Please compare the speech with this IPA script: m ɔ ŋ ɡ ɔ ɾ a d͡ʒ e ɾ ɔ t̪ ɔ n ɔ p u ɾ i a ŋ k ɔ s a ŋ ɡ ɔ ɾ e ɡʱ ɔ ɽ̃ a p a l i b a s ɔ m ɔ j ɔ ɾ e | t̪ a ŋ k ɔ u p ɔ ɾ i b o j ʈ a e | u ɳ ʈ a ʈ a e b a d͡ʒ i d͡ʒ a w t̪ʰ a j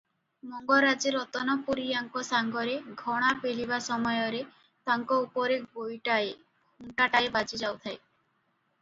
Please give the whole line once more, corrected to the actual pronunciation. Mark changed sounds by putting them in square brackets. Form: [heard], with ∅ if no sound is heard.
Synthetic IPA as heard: m ɔ ŋ ɡ ɔ ɾ a d͡ʒ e ɾ ɔ t̪ ɔ n ɔ p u ɾ i a ŋ k ɔ s a ŋ ɡ ɔ ɾ e ɡʱ ɔ ɽ̃ a p [e] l i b a s ɔ m ɔ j ɔ ɾ e | t̪ a ŋ k ɔ u p ɔ ɾ [e] b o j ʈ a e | u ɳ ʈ a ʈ a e b a d͡ʒ i d͡ʒ a w t̪ʰ a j

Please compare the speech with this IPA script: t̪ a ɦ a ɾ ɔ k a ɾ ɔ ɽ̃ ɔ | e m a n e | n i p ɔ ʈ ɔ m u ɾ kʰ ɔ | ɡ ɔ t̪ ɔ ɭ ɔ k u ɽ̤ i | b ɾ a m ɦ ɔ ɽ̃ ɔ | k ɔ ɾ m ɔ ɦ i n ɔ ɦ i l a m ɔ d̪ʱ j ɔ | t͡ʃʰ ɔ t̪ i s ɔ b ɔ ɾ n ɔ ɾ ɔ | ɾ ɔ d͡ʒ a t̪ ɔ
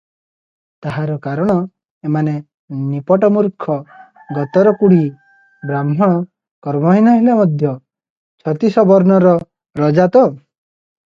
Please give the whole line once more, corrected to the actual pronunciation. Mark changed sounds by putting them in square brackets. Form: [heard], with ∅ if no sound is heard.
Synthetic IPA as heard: t̪ a ɦ a ɾ ɔ k a ɾ ɔ ɽ̃ ɔ | e m a n e | n i p ɔ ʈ ɔ m u ɾ kʰ ɔ | ɡ ɔ t̪ ɔ [ɾ] ɔ k u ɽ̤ i | b ɾ a m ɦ ɔ ɽ̃ ɔ | k ɔ ɾ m ɔ ɦ i n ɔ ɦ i l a m ɔ d̪ʱ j ɔ | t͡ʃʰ ɔ t̪ i s ɔ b ɔ ɾ n ɔ ɾ ɔ | ɾ ɔ d͡ʒ a t̪ ɔ

